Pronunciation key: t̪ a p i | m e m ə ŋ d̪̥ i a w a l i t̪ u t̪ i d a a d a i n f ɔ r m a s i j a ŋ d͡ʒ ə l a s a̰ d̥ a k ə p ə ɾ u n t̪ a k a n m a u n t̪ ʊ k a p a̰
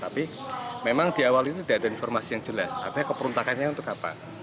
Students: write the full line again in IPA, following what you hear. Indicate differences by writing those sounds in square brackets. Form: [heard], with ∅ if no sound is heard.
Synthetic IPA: t̪ a p i | m e m [a] ŋ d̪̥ i a w a l i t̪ u t̪ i d a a d a i n f ɔ r m a s i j a ŋ d͡ʒ ə l a s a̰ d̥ a k ə p ə ɾ u n t̪ a k a n [ɲ] a u n t̪ ʊ k a p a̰